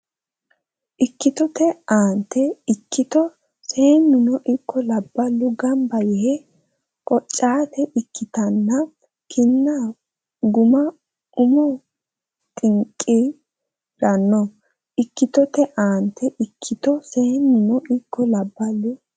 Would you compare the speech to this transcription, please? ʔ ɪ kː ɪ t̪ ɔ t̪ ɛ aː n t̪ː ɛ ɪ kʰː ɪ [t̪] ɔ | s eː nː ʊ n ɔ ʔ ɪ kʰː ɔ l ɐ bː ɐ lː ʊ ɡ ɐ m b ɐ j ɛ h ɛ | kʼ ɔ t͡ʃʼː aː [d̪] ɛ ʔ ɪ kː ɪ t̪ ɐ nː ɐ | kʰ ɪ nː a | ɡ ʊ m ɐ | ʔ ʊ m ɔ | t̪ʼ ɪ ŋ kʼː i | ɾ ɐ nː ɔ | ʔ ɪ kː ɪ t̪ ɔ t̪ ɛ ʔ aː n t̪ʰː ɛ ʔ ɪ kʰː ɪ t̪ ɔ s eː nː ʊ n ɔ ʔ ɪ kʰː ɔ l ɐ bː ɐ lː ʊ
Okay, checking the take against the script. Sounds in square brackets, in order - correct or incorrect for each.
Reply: correct, incorrect: t̪

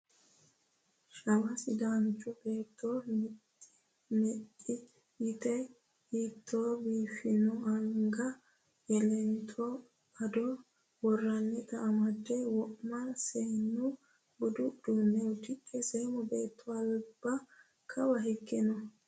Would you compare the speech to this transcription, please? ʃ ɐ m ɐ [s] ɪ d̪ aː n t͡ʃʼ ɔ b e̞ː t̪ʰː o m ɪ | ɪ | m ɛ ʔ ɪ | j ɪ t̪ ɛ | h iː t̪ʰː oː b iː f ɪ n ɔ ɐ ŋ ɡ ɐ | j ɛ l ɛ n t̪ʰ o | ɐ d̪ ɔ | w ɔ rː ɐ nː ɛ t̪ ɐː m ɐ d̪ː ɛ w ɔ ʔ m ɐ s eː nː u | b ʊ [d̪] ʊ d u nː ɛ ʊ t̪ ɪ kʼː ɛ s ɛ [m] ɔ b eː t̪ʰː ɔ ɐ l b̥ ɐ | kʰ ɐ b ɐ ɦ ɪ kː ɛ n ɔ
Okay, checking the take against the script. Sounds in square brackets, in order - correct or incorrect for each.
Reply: correct, correct, correct

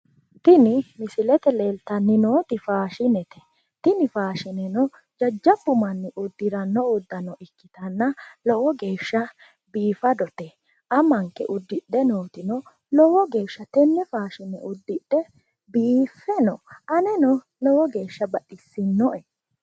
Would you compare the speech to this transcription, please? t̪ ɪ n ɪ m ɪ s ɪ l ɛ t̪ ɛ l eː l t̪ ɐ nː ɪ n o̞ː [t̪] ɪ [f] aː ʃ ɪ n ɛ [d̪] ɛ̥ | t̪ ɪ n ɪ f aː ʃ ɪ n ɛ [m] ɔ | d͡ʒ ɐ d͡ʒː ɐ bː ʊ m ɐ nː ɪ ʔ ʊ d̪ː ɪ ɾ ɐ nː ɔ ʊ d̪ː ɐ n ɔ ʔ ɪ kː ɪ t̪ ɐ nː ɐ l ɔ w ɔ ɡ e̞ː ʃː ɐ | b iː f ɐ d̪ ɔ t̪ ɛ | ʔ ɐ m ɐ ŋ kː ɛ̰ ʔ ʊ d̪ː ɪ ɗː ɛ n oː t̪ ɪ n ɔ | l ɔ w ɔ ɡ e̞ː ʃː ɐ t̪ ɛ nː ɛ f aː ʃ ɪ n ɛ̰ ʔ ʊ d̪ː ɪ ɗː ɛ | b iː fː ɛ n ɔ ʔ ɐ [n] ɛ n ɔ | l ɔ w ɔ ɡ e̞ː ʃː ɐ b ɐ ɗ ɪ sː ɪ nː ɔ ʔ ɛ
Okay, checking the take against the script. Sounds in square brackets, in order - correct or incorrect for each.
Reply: correct, correct, incorrect: t̪, incorrect: n, correct

